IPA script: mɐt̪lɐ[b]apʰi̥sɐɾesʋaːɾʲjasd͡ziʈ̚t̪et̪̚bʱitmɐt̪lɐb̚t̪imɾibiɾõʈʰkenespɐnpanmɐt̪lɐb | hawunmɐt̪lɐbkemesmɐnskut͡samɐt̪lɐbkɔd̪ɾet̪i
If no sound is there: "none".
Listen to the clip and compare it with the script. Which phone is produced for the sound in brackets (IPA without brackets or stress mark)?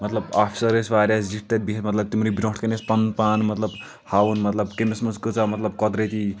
b